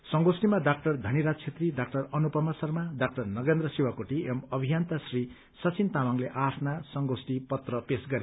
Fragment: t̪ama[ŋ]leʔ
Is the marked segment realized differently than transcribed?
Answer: no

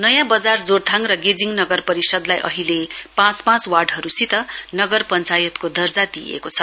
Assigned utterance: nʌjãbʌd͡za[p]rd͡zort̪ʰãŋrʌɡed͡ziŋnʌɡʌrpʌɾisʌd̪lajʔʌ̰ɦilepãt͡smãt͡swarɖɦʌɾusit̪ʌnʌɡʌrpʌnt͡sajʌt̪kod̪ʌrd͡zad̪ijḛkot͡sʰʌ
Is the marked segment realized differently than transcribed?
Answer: yes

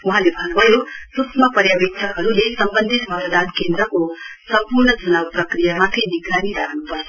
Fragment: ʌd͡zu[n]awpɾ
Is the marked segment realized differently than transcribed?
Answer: no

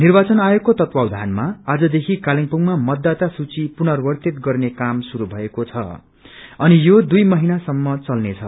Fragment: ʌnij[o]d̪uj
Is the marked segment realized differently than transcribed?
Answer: no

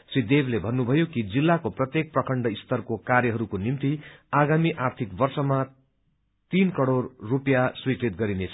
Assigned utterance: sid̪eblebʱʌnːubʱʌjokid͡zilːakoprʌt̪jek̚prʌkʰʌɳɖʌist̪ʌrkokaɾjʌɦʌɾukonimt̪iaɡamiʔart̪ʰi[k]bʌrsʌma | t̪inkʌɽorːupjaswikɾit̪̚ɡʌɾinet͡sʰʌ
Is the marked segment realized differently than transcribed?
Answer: no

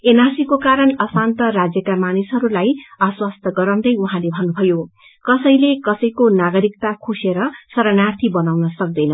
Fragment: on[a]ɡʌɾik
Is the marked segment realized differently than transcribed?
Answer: no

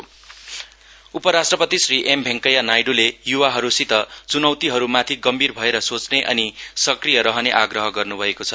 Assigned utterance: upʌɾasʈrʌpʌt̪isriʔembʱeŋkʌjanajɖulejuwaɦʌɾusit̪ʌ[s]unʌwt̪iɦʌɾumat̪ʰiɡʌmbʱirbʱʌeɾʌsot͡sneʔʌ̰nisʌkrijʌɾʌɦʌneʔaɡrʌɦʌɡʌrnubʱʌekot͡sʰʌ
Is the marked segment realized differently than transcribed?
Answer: yes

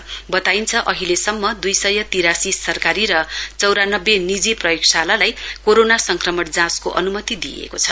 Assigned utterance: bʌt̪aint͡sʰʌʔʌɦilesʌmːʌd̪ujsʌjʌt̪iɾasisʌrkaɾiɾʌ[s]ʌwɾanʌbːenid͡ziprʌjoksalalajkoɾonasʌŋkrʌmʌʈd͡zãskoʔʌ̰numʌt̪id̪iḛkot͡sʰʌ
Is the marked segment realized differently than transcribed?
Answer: yes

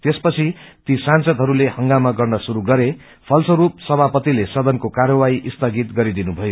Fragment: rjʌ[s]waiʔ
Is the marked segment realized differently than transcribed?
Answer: yes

